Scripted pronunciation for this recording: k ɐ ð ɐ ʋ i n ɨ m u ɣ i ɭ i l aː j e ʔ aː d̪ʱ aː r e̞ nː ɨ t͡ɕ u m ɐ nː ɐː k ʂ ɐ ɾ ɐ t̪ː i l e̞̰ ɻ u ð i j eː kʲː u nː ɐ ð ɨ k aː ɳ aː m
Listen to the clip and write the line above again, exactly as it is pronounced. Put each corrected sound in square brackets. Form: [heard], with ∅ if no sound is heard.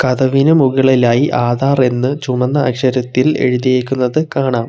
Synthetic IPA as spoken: k ɐ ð ɐ ʋ i n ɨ m u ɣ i ɭ i l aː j [i] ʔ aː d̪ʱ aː r e̞ nː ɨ t͡ɕ u m ɐ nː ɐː k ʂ ɐ ɾ ɐ t̪ː i l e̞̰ ɻ u ð i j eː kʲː u nː ɐ ð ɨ k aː ɳ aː m